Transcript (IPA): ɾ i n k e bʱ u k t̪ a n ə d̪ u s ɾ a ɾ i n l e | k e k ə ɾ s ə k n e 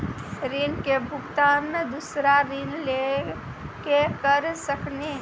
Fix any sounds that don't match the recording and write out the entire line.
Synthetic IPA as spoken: ɾ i n k e bʱ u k t̪ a n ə d̪ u s ɾ a ɾ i n l e | k e k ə ɾ s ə k n e

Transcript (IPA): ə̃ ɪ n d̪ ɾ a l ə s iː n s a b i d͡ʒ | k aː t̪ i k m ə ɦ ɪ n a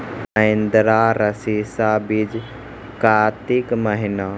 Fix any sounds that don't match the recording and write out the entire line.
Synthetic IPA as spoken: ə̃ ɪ n d̪ ɾ a ɾ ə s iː s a b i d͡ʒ | k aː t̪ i k m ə ɦ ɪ n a

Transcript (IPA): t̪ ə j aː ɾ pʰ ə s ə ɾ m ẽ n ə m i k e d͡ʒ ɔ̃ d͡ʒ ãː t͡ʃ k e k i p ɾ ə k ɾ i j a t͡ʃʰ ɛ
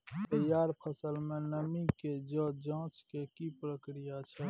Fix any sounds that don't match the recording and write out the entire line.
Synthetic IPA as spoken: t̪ ə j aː ɾ pʰ ə s ə l m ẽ n ə m i k e d͡ʒ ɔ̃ d͡ʒ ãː t͡ʃ k e k i p ɾ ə k ɾ i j a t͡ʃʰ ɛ

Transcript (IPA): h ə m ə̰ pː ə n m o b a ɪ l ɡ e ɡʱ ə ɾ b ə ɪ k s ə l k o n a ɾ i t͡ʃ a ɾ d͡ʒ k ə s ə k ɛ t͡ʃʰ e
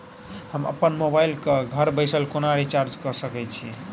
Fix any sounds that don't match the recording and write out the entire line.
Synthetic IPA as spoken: h ə m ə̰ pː ə n m o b a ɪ l k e ɡʱ ə ɾ b ə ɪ s ə l k o n a ɾ i t͡ʃ a ɾ d͡ʒ k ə s ə k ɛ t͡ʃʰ i

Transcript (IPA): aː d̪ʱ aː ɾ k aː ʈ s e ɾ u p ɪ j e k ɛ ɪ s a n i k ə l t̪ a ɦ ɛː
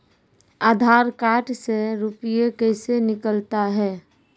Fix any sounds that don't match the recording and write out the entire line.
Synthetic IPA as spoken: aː d̪ʱ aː ɾ k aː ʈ s e ɾ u p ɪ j e k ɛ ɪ s e n ɪ k ə l t̪ a ɦ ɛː

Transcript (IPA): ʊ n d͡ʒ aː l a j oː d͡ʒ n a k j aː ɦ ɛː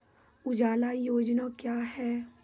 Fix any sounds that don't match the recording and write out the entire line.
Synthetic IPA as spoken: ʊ d͡ʒ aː l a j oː d͡ʒ n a k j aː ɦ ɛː

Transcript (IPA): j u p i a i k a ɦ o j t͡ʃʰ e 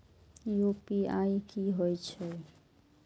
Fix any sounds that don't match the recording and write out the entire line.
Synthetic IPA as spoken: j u p i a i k i ɦ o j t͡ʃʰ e

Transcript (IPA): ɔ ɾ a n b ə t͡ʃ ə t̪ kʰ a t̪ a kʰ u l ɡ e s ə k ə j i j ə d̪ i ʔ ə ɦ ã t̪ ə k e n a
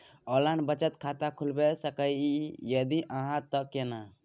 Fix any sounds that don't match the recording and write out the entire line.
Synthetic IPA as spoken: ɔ l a n b ə t͡ʃ ə t̪ kʰ a t̪ a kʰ u l b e s ə k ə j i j ə d̪ i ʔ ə ɦ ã t̪ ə k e n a

